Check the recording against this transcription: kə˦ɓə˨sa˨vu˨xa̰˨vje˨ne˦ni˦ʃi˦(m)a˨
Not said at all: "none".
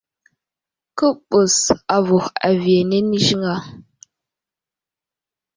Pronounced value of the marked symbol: ŋ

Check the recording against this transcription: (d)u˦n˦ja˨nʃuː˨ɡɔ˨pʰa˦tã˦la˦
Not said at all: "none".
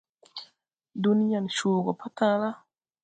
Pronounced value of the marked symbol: d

